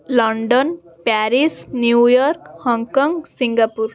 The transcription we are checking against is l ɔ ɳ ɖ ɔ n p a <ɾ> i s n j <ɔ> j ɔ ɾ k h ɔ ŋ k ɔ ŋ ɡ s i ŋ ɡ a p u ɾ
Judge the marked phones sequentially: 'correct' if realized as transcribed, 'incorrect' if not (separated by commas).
correct, incorrect